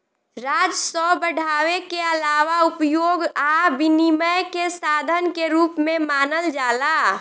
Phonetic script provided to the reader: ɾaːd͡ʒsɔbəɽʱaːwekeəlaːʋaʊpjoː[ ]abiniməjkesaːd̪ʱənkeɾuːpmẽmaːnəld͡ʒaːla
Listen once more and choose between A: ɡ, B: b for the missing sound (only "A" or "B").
A